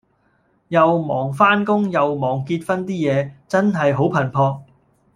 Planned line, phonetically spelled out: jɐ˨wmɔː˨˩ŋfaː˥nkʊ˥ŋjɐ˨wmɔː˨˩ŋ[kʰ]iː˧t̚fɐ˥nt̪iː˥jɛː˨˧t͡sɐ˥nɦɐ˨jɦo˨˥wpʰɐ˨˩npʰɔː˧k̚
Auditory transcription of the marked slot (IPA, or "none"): k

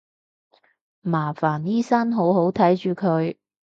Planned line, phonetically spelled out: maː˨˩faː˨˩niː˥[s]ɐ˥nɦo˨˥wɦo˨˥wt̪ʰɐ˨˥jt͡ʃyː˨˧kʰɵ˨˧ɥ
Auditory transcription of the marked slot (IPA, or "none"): s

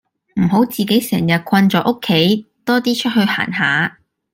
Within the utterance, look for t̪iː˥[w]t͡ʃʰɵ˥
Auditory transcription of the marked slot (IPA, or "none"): none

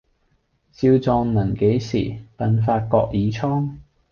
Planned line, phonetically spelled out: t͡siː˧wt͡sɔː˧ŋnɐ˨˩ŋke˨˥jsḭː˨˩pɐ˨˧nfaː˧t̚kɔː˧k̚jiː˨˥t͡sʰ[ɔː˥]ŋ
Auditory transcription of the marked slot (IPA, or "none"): ɔː˥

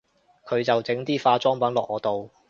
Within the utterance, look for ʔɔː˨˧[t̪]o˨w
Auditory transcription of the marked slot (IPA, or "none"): t̪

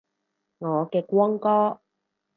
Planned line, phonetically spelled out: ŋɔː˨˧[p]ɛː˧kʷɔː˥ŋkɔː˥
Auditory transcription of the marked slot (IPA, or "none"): k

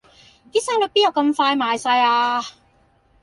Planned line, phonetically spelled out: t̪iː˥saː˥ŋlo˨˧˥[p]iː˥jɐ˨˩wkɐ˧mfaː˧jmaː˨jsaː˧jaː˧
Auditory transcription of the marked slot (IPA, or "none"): p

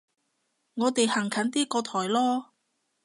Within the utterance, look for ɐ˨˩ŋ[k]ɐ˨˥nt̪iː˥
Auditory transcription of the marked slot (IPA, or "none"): kʰ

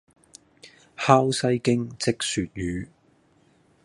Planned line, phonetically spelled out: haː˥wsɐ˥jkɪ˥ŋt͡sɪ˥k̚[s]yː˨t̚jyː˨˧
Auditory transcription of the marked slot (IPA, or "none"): s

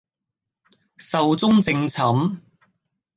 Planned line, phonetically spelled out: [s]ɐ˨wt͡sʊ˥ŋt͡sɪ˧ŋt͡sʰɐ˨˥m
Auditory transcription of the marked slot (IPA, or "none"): s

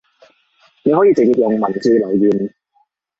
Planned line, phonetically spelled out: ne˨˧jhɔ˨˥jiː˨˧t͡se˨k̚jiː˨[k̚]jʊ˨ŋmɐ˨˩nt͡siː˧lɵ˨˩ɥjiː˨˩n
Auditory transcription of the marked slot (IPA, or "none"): p̚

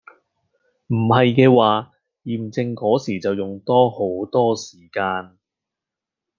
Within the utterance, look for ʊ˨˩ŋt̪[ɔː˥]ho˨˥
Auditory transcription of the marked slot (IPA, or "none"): ɔː˥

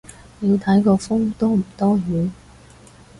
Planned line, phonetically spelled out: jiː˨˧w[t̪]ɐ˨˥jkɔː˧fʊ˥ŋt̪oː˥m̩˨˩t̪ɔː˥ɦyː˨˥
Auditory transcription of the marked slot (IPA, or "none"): t̪ʰ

